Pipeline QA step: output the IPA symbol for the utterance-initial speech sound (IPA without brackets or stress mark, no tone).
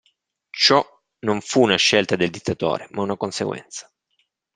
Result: t͡ʃ